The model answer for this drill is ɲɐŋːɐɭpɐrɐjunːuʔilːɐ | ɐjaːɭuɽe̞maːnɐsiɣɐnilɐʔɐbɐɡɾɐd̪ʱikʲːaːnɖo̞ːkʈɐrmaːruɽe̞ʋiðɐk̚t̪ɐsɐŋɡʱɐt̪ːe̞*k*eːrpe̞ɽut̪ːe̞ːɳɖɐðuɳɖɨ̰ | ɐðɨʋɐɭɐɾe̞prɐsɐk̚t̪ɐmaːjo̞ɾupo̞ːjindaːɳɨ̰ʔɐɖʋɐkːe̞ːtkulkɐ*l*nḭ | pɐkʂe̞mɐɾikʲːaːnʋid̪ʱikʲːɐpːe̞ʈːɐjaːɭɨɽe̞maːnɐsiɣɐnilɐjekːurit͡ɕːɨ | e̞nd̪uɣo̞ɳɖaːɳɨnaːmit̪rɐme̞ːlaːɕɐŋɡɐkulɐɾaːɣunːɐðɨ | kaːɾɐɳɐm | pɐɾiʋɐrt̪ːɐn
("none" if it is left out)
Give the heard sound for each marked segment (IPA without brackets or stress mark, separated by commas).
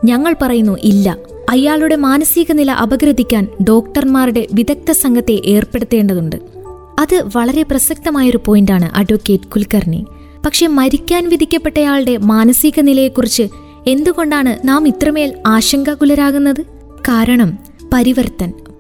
ʔ, r